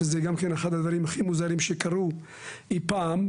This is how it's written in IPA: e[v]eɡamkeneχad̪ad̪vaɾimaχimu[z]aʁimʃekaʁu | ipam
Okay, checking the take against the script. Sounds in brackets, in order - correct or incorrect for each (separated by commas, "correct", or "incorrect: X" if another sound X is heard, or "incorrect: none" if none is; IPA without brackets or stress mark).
incorrect: z, correct